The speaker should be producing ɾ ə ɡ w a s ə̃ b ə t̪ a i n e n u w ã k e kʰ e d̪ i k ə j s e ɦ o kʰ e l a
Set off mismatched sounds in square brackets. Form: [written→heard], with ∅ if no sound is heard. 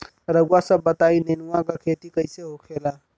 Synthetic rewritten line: ɾ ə ɡ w a s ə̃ b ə t̪ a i n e n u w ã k [e→a] kʰ e [d̪→t̪] i k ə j s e ɦ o kʰ e l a